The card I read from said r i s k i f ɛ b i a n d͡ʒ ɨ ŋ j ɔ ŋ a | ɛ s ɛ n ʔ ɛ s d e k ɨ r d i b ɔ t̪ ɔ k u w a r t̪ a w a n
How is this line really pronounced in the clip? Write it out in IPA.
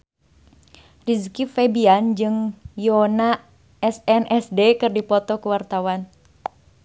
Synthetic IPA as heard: r i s k i f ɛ b i a n d͡ʒ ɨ ŋ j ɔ n a | ɛ s ɛ n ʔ ɛ s d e k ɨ r d i p ɔ t̪ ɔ k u w a r t̪ a w a n